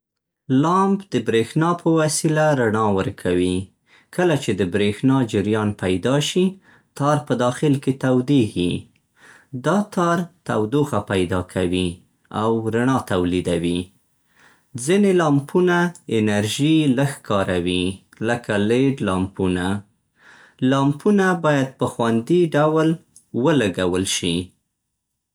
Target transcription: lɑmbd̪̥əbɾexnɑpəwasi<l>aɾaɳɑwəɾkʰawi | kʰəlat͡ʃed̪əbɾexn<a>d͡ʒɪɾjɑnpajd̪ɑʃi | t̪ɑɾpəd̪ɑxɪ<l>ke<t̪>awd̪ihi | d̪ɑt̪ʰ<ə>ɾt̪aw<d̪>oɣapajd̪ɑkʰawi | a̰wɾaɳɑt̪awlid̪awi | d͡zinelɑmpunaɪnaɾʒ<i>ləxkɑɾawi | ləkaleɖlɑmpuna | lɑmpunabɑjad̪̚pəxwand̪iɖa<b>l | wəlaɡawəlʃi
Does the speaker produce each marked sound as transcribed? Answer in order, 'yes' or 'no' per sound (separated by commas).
yes, no, yes, yes, no, yes, yes, no